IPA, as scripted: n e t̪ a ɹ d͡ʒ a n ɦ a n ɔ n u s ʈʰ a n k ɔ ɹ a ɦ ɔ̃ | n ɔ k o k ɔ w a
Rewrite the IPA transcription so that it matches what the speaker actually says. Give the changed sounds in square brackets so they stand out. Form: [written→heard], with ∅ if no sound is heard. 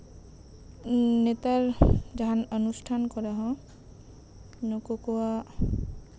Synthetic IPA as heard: n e t̪ a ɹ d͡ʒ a [n→∅] ɦ a n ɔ n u s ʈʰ a n k ɔ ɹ a ɦ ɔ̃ | n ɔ k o k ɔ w a

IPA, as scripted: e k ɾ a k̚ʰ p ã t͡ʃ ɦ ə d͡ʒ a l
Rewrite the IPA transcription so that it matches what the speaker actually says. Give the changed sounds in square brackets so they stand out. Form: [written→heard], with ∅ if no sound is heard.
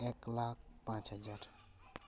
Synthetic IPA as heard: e k [ɾ→l] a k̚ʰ p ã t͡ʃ ɦ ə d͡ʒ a [l→ɾ]

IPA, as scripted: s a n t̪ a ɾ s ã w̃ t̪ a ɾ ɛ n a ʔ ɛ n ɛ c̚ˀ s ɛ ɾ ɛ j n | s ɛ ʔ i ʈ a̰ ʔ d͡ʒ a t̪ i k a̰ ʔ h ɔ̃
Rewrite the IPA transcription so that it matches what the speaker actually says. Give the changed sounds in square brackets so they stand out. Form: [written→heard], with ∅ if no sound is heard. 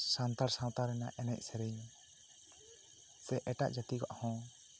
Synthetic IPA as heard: s a n t̪ a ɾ s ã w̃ t̪ a ɾ ɛ n a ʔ ɛ n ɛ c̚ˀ s ɛ ɾ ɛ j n | s ɛ ʔ [i→ɛ] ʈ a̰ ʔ d͡ʒ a t̪ i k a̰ ʔ h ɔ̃

